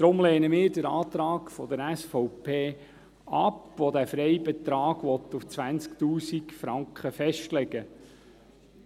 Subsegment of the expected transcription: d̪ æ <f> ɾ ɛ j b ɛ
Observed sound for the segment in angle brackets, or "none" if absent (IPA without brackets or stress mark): f